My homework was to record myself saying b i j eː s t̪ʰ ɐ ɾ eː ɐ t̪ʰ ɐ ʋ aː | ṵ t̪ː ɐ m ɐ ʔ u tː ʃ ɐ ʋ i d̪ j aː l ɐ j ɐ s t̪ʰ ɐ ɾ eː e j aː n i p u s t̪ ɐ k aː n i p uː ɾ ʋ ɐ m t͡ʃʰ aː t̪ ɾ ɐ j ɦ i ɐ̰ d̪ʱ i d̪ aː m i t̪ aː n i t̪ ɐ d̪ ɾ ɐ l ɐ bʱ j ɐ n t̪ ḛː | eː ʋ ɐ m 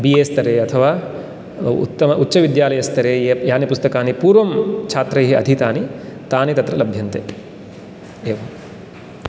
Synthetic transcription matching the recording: b i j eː s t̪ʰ ɐ ɾ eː ɐ t̪ʰ ɐ ʋ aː | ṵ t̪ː ɐ m ɐ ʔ u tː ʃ ɐ ʋ i d̪ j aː l ɐ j ɐ s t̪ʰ ɐ ɾ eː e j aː n i p u s t̪ ɐ k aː n i p uː ɾ ʋ ɐ m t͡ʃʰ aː t̪ ɾ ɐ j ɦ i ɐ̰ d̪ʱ i t̪ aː n i t̪ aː n i t̪ ɐ t̪ ɾ ɐ l ɐ bʱ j ɐ n t̪ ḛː | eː ʋ ɐ m

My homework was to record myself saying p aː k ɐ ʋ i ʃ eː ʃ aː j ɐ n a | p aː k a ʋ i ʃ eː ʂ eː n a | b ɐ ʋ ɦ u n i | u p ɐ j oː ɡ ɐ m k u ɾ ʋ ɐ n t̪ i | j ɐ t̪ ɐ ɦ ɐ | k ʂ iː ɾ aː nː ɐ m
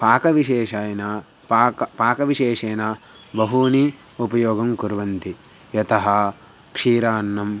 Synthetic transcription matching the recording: p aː k ɐ ʋ i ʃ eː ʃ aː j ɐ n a | p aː k ɐ ʋ i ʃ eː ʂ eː n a | b ɐ ɦ u n i | u p ɐ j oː ɡ ɐ m k u ɾ ʋ ɐ n t̪ i | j ɐ t̪ ɐ ɦ ɐ | k ʂ iː ɾ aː nː ɐ m

